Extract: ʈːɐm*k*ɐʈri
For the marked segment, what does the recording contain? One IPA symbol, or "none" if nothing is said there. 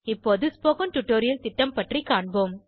p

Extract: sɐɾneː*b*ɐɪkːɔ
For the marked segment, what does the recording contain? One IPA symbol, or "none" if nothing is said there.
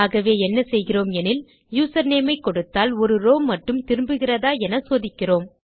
m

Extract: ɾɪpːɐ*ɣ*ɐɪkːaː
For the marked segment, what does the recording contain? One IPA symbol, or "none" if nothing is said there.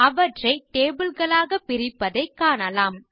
ð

